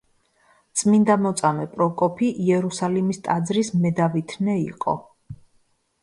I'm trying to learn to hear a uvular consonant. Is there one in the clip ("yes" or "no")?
yes